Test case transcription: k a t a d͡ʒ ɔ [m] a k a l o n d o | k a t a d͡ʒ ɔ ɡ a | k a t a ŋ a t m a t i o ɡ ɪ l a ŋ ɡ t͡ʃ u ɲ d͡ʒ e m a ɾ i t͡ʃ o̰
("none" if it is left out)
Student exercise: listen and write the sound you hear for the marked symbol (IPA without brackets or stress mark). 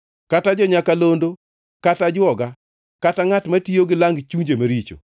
ɲ